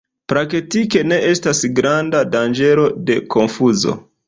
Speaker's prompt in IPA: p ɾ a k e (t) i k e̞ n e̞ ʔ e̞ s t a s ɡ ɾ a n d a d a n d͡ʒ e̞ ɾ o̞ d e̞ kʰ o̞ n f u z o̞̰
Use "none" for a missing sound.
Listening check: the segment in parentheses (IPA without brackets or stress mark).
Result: t